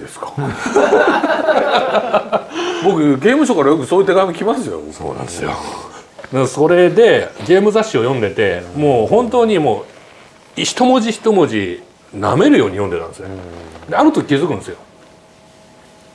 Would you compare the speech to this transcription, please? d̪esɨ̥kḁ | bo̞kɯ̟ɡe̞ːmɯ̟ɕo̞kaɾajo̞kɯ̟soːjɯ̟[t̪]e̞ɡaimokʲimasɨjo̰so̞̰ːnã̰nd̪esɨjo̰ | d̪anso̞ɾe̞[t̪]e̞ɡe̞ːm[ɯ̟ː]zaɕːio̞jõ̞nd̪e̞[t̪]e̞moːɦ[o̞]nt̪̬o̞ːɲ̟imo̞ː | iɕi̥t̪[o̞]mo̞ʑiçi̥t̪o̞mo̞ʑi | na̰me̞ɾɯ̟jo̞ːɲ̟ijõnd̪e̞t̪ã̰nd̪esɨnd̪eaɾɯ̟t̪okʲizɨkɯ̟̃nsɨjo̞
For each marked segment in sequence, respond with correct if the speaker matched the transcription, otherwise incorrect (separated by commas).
correct, incorrect, incorrect, correct, incorrect, correct